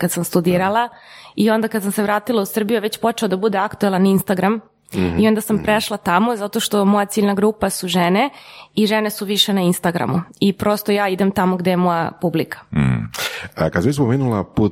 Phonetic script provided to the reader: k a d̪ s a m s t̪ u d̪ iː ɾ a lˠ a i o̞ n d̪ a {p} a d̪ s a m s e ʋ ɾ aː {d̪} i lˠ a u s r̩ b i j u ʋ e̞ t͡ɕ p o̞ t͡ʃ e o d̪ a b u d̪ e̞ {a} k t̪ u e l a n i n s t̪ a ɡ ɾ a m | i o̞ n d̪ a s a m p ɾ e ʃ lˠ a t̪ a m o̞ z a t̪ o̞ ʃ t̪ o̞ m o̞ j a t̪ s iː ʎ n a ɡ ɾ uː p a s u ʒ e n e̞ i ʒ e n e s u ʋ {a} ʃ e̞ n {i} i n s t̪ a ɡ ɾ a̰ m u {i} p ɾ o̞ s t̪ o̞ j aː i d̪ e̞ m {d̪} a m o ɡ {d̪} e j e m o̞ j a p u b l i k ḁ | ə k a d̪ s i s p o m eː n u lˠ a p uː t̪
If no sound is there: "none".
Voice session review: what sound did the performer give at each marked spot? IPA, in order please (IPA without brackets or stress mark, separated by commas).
k, t̪, a, i, a, i, t̪, d̪